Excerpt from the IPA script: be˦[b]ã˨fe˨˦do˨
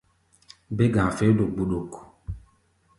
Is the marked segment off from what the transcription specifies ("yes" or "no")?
yes